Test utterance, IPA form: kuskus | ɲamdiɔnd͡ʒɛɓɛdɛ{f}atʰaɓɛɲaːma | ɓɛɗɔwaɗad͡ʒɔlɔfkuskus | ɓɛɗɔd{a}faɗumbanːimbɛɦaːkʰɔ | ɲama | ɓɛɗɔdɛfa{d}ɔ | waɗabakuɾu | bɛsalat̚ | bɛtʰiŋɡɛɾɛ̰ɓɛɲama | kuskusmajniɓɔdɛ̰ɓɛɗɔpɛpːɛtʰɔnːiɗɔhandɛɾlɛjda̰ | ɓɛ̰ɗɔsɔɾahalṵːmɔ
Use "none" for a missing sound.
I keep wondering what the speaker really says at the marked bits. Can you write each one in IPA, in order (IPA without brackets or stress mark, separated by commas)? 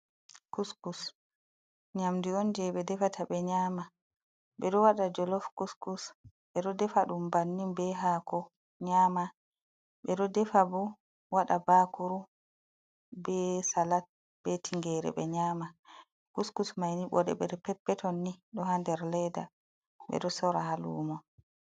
f, ɛ, b